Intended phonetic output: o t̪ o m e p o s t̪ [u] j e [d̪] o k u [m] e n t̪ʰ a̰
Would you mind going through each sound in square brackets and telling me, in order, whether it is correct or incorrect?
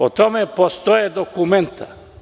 incorrect: o, correct, correct

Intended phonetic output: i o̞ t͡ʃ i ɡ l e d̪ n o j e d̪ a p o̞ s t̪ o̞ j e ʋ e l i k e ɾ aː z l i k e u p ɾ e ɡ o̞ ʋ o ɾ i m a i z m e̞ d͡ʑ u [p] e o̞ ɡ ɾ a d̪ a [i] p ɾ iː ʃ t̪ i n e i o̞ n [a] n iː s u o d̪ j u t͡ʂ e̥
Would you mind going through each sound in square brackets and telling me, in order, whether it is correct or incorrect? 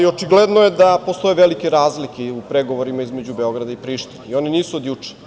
incorrect: b, correct, incorrect: i

